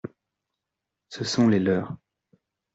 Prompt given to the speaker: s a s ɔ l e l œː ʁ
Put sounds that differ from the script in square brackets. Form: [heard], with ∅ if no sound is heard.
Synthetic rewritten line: s [ə] s [ɔ̃] l e l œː ʁ